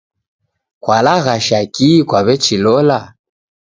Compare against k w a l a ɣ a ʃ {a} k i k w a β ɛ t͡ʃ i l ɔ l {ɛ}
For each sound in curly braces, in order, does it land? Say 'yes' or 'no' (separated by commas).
yes, no